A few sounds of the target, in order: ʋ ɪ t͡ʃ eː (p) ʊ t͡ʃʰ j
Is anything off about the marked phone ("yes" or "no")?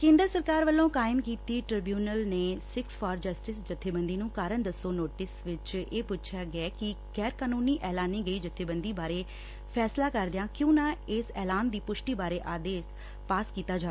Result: no